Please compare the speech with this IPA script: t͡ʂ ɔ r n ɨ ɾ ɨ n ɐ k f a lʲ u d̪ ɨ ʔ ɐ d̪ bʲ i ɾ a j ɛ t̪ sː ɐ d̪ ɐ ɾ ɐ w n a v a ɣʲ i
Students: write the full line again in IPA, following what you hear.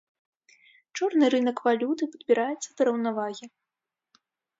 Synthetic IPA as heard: t͡ʂ ɔ r n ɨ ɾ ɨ n ɐ k v a lʲ u t̪ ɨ p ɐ d̪ bʲ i ɾ a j ɛ t̪ sː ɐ d̪ ɐ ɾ ɐ w n a v a ɣʲ i